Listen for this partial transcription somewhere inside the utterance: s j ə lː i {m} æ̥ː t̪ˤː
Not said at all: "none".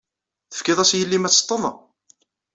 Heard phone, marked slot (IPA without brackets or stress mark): m